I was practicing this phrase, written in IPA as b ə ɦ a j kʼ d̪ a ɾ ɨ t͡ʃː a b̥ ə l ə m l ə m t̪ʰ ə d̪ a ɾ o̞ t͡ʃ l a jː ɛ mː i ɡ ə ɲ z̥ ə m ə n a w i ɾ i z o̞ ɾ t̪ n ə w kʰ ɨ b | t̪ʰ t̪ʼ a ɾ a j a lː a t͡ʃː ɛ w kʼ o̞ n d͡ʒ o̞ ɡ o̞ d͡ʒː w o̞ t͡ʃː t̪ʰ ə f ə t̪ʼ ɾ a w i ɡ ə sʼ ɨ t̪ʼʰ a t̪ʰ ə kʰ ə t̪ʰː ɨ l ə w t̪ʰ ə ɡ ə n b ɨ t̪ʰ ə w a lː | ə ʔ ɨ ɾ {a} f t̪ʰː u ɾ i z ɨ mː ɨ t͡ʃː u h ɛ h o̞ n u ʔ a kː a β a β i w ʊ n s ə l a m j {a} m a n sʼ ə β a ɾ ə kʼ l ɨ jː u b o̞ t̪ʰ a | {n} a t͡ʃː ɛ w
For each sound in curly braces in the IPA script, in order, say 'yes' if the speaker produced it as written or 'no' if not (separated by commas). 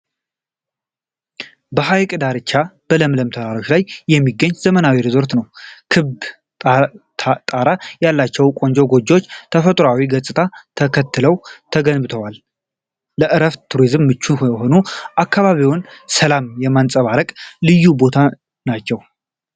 no, no, yes